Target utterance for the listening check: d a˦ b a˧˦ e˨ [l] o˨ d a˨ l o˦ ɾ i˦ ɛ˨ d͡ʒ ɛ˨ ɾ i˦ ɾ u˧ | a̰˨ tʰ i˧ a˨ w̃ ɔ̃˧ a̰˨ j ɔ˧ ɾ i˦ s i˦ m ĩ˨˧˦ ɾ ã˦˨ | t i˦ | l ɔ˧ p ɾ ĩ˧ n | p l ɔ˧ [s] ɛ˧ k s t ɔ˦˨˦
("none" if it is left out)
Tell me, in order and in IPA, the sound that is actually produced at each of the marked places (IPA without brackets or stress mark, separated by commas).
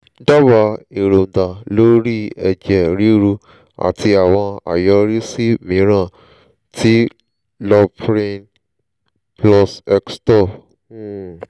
ɾ, s